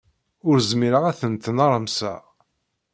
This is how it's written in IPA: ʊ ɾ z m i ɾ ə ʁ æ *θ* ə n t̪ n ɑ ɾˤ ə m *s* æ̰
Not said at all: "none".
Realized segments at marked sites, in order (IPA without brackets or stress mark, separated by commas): θ, s